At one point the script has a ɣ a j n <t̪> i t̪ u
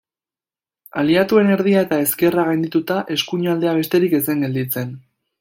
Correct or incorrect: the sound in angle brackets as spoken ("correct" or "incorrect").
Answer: incorrect